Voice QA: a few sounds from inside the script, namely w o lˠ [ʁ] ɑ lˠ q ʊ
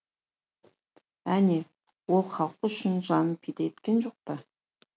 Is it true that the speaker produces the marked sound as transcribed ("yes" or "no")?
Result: no